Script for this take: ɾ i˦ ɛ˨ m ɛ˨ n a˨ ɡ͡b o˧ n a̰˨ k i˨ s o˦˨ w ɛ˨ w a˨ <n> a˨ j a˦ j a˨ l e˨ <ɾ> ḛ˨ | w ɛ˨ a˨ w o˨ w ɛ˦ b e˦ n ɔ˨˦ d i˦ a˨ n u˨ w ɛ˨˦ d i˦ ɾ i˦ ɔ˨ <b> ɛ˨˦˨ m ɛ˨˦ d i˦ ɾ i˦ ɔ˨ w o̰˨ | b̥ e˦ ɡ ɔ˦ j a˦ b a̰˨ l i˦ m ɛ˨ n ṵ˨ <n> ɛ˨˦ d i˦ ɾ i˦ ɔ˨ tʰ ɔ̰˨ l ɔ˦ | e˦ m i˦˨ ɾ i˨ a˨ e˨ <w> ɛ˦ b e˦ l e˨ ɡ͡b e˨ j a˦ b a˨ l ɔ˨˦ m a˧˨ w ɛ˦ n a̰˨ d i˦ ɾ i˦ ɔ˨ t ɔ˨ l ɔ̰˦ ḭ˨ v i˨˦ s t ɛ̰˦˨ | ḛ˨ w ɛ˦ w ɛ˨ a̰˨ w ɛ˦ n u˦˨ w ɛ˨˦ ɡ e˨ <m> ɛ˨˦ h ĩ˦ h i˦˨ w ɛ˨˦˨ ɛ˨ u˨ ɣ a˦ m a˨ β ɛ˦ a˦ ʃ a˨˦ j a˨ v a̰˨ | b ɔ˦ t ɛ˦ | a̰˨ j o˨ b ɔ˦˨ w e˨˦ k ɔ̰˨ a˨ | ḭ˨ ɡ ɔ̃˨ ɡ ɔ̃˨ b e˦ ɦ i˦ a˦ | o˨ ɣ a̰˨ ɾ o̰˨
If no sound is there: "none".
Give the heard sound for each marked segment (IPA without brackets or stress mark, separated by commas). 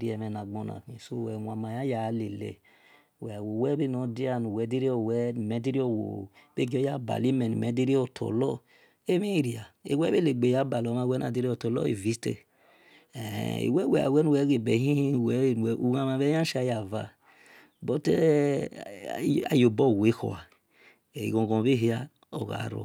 m, l, w, m, w, b